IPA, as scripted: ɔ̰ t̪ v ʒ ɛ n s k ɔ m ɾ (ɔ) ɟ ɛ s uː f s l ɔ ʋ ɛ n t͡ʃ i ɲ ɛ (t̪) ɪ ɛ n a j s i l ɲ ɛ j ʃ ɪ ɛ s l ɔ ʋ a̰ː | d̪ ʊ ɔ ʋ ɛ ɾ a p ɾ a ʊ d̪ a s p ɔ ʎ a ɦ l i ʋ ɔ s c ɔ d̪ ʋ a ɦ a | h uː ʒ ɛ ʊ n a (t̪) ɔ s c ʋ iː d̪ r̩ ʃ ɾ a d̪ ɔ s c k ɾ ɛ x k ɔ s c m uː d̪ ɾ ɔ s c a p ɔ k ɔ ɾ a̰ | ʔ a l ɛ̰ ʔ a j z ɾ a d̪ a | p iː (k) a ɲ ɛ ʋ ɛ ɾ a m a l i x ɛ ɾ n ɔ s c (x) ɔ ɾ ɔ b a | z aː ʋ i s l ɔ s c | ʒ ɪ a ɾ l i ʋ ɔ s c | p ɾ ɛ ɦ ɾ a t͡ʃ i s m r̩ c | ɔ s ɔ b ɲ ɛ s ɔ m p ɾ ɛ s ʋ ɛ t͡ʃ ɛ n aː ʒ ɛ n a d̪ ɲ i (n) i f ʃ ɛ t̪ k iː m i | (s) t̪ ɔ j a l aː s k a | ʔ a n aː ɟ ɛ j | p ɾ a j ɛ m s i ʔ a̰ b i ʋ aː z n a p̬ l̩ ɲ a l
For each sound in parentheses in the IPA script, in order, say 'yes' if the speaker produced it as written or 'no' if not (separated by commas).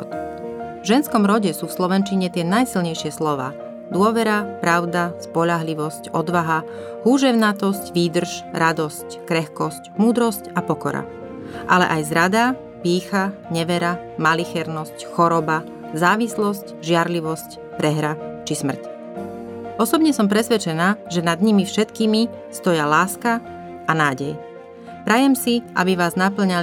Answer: yes, yes, yes, no, yes, no, yes